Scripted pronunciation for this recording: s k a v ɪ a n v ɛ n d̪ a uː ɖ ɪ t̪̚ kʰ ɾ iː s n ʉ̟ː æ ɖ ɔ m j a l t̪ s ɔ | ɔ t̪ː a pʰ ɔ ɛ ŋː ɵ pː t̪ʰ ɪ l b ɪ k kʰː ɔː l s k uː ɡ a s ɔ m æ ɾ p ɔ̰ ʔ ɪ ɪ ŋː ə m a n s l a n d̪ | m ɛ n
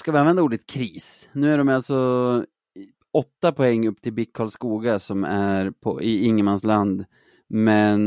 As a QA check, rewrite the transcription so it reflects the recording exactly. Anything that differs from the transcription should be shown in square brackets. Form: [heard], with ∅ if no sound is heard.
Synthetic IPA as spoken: s k a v ɪ a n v ɛ n d̪ a uː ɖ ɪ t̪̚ kʰ ɾ iː s n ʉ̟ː æ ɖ ɔ m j a l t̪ s ɔ | ɔ t̪ː a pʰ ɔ ɛ ŋː ɵ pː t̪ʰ ɪ l b ɪ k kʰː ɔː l s k uː ɡ a s ɔ m æ ɾ [pʰ] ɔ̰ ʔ ɪ ɪ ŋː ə m a n s l a n d̪ | m ɛ n